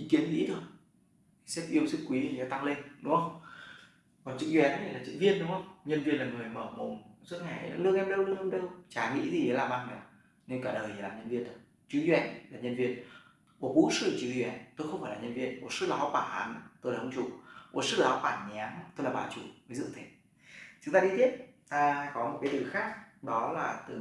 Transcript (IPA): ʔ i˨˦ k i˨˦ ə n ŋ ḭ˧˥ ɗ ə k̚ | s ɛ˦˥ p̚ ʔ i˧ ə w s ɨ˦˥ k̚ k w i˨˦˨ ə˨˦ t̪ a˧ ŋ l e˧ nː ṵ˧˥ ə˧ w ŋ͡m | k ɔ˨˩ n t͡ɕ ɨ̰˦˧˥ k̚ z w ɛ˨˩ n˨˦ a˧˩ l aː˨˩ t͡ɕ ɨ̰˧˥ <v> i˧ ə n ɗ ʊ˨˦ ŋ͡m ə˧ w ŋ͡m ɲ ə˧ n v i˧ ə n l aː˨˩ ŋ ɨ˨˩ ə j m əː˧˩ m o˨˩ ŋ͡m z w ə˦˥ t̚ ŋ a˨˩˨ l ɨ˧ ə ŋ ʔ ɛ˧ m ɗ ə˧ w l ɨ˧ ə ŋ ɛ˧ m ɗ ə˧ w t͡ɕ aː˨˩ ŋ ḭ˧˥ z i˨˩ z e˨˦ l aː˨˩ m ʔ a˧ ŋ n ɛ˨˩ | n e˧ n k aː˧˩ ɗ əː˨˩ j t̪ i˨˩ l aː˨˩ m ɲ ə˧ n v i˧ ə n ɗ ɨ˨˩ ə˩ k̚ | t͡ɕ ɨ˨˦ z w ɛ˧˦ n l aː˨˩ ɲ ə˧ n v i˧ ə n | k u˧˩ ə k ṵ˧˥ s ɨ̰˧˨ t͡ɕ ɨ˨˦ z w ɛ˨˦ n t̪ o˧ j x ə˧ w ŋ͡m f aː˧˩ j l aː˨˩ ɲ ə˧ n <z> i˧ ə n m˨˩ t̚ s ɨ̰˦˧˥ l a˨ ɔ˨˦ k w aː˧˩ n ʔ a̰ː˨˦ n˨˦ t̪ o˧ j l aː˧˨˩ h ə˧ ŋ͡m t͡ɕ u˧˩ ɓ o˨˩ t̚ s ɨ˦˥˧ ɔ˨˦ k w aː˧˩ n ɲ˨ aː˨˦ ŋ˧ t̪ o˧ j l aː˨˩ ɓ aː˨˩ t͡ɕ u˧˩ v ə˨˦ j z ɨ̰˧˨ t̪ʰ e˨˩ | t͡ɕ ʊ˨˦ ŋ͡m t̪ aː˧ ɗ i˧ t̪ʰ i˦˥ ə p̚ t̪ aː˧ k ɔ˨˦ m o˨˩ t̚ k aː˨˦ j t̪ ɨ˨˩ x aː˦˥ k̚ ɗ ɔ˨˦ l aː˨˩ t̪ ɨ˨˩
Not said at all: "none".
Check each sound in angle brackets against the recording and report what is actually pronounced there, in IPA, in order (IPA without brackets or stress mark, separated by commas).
v, v